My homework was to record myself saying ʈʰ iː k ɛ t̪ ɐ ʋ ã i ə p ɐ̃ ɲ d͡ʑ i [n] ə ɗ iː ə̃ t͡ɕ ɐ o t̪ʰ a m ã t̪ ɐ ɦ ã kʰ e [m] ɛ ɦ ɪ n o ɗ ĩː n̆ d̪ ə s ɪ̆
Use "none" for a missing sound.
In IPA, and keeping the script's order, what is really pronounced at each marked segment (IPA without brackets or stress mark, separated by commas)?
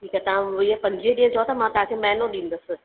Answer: none, m